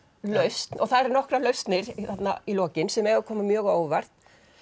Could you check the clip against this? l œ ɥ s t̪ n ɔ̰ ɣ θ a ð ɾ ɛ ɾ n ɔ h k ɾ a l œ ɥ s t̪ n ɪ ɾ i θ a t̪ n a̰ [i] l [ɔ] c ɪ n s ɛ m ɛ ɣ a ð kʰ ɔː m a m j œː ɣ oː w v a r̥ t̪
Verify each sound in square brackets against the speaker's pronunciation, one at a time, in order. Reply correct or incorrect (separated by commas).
correct, incorrect